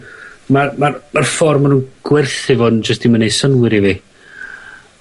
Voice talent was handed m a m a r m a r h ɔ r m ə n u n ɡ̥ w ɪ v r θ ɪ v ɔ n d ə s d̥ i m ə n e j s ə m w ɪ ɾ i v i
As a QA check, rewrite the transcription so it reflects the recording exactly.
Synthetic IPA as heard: m a m a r m a r f ɔ r m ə n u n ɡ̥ w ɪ r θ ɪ v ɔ n d͡ʒ ə s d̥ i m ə n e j s ə n w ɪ ɾ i v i